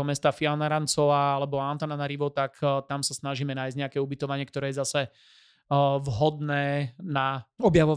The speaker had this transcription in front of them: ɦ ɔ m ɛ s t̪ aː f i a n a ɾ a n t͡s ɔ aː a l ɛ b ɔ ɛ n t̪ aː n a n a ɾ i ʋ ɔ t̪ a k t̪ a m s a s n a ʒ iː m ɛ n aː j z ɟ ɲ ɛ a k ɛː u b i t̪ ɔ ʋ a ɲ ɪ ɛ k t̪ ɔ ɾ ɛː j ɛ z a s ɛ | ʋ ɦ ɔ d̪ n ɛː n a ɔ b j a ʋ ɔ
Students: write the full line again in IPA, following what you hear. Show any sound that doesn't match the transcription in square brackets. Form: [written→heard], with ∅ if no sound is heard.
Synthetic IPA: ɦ ɔ m ɛ s t̪ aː f i a n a ɾ a n t͡s ɔ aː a l ɛ b ɔ [ɛ→a] n t̪ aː n a n a ɾ i ʋ ɔ t̪ a k t̪ a m s a s n a ʒ iː m ɛ n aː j z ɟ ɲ ɛ a k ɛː u b i t̪ ɔ ʋ a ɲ ɪ ɛ k t̪ ɔ ɾ ɛː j ɛ z a s ɛ | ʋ ɦ ɔ d̪ n ɛː n a ɔ b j a ʋ ɔ